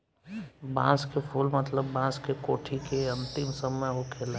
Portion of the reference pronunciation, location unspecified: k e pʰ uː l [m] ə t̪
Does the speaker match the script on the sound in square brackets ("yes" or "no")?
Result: yes